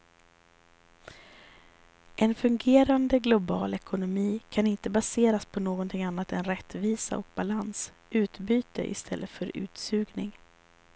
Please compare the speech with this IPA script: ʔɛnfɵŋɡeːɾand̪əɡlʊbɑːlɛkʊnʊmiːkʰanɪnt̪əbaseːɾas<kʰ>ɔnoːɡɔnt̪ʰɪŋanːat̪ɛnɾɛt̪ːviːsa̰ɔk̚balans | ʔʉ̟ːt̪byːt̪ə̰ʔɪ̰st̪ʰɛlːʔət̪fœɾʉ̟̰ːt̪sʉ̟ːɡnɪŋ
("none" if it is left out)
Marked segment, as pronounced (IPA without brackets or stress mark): pʰ